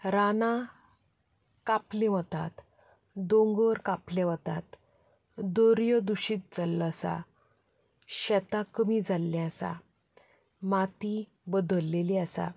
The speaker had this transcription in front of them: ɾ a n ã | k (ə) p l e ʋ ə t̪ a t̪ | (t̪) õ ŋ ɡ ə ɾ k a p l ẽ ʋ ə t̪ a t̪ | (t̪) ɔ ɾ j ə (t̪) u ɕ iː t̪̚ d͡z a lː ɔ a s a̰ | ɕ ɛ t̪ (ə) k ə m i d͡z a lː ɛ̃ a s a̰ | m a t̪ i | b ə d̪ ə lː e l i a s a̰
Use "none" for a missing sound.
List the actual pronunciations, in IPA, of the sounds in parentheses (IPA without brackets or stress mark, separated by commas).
a, d̪, d̪, d̪, a